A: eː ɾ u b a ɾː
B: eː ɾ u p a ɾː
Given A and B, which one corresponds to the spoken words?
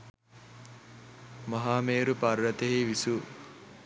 B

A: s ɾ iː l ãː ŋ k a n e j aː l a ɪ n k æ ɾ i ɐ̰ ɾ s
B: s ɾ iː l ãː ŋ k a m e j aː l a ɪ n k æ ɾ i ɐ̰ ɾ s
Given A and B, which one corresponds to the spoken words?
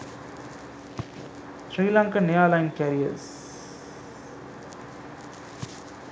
A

